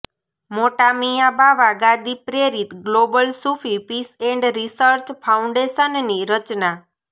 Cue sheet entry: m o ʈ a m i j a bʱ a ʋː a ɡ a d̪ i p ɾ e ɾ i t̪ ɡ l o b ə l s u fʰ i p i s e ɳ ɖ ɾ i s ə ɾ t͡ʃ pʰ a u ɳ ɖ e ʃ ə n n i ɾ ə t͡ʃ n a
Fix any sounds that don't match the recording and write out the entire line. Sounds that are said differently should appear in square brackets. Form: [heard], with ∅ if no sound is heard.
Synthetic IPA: m o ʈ a m i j a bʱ a [ʋ] a ɡ a d̪ i p ɾ e ɾ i t̪ ɡ l o b ə l s u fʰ i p i s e ɳ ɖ ɾ i s ə ɾ t͡ʃ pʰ a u ɳ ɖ e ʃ ə n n i ɾ ə t͡ʃ n a